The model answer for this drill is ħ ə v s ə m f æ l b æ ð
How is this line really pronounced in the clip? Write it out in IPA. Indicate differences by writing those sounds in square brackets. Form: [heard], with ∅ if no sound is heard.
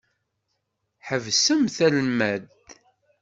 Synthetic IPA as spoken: ħ ə v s ə m [θ] æ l [m] æ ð